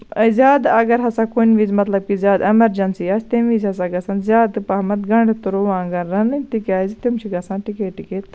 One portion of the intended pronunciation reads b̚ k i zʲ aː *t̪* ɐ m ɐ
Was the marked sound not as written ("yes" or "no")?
yes